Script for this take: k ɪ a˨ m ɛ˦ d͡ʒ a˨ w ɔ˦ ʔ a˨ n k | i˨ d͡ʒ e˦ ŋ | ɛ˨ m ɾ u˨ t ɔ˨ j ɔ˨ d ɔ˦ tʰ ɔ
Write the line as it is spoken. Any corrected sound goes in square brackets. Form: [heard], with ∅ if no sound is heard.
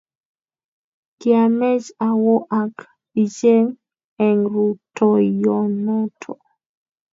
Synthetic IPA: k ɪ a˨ m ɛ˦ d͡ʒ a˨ w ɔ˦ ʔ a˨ [∅] k | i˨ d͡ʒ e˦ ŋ | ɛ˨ [ŋ] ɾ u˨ t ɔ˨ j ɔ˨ [n] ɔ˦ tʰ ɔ

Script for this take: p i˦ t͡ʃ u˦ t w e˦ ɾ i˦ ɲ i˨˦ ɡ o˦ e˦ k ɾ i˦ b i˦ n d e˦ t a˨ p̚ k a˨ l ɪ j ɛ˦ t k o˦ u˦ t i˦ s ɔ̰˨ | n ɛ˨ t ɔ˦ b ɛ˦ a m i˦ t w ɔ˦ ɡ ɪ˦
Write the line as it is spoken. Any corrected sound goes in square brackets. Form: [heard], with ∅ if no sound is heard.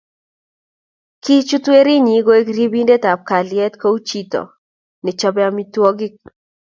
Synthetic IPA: [k] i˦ t͡ʃ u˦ t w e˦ ɾ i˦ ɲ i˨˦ ɡ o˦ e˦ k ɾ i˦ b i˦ n d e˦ t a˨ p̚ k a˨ l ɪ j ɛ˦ t k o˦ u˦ [t͡ʃ] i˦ [t] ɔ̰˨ | n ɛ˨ [t͡ʃ] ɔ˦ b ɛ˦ a m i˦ t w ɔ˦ ɡ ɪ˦

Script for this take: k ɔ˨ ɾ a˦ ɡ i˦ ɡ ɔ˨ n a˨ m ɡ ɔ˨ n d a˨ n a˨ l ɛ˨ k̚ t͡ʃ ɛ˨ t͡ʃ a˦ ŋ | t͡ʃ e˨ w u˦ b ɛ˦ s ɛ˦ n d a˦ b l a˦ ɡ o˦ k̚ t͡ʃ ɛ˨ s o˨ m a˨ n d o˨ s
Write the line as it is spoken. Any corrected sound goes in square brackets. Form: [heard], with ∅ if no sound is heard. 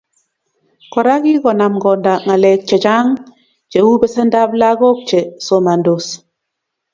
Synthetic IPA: k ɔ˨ ɾ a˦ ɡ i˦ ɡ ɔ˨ n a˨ m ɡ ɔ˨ n d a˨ [ŋ] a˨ l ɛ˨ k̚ t͡ʃ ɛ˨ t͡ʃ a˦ ŋ | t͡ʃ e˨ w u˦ b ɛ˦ s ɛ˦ n d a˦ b l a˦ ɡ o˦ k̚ t͡ʃ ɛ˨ s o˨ m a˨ n d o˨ s

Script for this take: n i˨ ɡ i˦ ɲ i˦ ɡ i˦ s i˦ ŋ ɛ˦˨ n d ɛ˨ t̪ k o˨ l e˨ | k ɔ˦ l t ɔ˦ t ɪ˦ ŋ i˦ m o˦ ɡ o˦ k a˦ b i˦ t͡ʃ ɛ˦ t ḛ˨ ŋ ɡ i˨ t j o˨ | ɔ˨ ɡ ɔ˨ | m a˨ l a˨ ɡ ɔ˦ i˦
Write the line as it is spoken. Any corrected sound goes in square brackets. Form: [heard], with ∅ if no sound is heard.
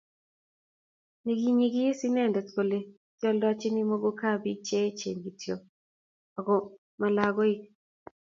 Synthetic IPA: n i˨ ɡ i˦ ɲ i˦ ɡ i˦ s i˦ [n] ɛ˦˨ n d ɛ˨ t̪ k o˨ l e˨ | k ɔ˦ l [d] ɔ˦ [t͡ʃ] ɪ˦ [n] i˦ m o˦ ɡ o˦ k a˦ b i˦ t͡ʃ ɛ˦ [t͡ʃ] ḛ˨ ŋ ɡ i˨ t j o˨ | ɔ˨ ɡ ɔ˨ | m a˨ l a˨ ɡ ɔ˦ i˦

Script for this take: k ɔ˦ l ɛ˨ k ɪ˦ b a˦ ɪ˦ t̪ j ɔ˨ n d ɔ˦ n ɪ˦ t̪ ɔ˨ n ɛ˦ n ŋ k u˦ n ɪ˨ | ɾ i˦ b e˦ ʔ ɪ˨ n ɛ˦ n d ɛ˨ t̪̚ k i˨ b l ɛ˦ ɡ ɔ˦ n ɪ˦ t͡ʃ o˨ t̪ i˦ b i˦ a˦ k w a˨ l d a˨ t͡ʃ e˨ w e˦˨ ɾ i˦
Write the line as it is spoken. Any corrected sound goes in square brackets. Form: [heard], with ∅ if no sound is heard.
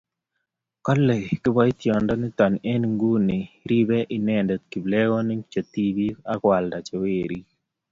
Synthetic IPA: k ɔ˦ l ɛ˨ k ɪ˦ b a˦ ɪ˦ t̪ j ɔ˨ n d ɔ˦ n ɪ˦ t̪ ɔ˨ n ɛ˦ n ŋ [ɡ] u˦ n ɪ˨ | ɾ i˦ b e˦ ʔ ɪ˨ n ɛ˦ n d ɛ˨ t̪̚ k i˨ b l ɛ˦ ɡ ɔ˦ n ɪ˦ t͡ʃ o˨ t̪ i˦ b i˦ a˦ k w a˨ l d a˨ t͡ʃ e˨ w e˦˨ ɾ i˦

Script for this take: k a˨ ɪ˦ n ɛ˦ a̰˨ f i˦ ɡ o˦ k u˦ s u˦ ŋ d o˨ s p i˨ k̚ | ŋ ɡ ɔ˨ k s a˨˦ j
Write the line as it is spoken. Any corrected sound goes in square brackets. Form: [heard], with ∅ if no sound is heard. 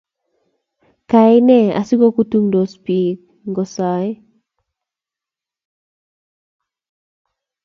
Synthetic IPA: k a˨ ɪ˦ n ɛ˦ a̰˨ [s] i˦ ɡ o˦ k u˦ [t] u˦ ŋ d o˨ s p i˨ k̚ | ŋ ɡ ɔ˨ [∅] s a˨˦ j

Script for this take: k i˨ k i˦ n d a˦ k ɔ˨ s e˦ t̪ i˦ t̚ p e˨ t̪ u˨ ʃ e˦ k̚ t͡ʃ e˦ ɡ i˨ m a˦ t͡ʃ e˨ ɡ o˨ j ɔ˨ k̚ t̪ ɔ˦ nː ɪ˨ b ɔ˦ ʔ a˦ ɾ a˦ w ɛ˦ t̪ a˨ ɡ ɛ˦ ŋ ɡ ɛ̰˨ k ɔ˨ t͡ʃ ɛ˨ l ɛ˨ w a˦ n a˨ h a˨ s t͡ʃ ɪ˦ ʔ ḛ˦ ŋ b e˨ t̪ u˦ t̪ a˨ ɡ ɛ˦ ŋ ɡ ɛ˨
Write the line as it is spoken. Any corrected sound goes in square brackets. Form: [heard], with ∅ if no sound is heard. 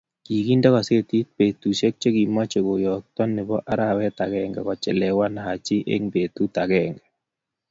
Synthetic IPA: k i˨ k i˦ n d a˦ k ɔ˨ s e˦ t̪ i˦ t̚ p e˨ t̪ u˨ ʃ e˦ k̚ t͡ʃ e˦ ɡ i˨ m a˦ t͡ʃ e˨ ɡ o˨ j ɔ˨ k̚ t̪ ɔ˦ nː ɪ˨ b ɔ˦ ʔ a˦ ɾ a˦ w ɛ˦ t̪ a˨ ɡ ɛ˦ ŋ ɡ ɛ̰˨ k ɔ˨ t͡ʃ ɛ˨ l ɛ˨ w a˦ n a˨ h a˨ [∅] t͡ʃ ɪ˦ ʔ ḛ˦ ŋ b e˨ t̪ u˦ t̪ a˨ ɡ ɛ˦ ŋ ɡ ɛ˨

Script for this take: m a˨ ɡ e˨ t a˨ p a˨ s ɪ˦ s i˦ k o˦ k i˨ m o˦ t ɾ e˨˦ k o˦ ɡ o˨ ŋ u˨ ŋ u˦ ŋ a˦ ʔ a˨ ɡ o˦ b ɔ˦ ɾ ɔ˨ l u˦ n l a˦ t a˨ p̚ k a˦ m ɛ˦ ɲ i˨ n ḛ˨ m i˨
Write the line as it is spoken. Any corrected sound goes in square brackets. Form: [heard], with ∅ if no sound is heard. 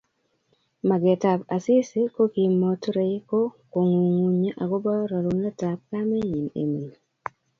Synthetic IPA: m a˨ ɡ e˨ t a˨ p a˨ s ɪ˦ s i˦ k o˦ k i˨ m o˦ t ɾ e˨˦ k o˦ [k] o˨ ŋ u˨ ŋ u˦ [ɲ] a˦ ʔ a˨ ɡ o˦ b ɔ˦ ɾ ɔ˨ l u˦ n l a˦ t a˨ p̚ k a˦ m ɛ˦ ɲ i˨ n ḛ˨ m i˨

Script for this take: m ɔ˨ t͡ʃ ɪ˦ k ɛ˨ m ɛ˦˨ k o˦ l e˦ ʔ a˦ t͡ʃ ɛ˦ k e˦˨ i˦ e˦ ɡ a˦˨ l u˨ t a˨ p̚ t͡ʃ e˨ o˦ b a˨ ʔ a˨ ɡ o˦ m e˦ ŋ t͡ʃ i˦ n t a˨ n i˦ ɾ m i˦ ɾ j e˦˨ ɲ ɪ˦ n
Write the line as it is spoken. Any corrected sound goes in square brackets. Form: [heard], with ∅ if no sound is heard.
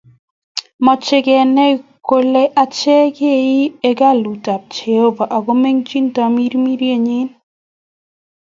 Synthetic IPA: m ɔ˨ t͡ʃ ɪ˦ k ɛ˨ [n] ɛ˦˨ k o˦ l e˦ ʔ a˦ t͡ʃ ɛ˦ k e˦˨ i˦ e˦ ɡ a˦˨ l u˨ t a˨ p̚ t͡ʃ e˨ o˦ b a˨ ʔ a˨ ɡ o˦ m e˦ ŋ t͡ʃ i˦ n t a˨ [m] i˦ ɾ m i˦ ɾ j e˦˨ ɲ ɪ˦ n

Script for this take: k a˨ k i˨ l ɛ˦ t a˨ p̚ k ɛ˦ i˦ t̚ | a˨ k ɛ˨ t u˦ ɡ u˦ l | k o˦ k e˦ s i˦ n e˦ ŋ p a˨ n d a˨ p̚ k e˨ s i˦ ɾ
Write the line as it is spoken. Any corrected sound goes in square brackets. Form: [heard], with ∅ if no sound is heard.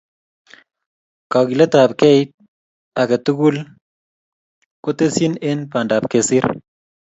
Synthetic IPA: k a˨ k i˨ l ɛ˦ t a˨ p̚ k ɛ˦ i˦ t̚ | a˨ k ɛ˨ t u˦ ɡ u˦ l | k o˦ [t] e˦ s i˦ n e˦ [n] p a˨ n d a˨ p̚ k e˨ s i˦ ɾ

